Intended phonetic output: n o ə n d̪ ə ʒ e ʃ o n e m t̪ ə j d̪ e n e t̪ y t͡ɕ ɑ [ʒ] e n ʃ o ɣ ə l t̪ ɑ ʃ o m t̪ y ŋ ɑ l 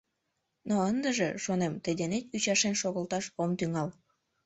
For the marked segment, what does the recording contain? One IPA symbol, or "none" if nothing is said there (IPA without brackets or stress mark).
ʃ